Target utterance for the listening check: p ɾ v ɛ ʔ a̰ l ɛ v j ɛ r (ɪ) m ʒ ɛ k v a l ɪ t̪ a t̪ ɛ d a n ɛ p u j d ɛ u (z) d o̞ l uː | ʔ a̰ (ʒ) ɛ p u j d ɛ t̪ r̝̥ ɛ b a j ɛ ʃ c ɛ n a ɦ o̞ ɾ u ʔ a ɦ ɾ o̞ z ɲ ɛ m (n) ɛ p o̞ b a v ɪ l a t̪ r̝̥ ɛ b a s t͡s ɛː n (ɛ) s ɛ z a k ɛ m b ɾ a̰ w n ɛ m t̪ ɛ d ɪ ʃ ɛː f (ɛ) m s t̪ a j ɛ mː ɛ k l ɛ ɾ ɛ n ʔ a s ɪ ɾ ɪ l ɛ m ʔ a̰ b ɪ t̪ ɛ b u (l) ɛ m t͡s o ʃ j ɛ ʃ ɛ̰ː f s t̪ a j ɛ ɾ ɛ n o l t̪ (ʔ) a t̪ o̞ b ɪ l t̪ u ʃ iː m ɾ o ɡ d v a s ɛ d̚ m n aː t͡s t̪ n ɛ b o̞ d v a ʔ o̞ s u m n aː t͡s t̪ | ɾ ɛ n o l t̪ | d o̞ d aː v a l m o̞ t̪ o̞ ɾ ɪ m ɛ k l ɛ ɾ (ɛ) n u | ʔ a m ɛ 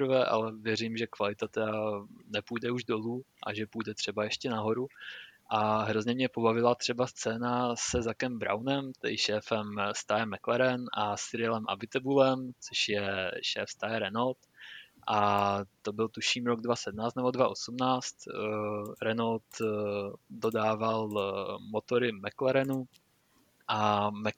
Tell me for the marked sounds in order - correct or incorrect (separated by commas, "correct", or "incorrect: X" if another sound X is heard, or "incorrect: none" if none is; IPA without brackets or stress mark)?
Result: incorrect: i, incorrect: ʒ, correct, incorrect: ɲ, incorrect: a, correct, correct, correct, correct